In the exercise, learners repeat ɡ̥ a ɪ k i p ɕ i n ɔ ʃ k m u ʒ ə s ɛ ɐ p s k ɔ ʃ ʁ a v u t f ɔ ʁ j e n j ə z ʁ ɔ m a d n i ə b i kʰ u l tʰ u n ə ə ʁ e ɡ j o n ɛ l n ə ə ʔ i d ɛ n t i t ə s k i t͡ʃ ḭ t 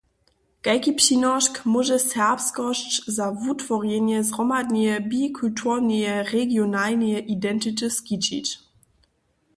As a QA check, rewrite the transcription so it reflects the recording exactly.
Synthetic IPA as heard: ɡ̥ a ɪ k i p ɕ i n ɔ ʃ k m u ʒ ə s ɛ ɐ p s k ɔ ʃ z a v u t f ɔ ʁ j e n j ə z ʁ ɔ m a d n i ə b i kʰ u l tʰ u n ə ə ʁ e ɡ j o n a l n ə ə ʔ i d ɛ n t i t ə s k i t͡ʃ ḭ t

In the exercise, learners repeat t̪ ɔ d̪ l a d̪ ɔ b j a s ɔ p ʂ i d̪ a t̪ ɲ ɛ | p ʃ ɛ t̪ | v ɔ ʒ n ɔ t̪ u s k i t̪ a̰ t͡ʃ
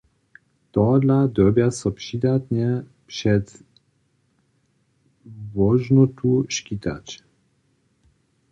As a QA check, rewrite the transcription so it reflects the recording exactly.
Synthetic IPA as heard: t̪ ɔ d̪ l a d̪ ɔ b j a s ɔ p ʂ i d̪ a t̪ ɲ ɛ | p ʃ ɛ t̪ | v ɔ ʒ n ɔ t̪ u ʃ k i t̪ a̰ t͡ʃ

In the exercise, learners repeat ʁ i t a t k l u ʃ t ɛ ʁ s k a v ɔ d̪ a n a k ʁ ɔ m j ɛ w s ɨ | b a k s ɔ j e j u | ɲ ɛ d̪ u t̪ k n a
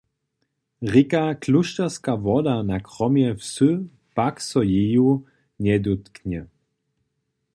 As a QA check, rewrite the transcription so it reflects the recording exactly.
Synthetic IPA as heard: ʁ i k a k l u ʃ t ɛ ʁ s k a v ɔ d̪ a n a k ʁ ɔ m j ɛ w s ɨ | p a k s ɔ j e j u | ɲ ɛ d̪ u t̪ k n ɛ

